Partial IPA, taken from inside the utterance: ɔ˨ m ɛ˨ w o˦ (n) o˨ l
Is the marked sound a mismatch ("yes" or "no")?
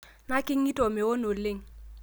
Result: no